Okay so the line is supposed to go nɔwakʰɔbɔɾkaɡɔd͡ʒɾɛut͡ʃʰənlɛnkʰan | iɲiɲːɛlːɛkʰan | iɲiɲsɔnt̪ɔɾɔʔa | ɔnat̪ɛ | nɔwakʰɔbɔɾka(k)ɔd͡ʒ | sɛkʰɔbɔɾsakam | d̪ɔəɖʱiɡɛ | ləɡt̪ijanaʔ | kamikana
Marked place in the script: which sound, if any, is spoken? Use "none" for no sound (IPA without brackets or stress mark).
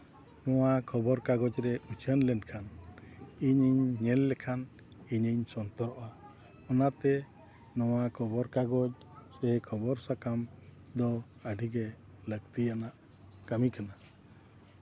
ɡ